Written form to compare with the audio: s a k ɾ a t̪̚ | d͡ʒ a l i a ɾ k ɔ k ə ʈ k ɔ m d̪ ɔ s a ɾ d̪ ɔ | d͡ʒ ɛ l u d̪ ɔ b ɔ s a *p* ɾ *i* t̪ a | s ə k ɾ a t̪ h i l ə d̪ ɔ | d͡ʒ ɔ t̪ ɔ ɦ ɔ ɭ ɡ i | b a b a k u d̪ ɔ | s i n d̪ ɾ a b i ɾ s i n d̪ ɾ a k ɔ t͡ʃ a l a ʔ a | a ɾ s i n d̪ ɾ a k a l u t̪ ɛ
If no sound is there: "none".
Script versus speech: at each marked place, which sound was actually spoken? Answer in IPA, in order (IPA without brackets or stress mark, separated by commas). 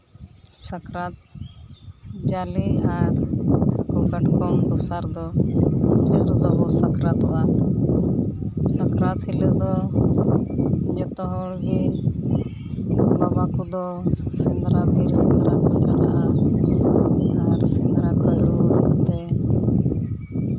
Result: k, a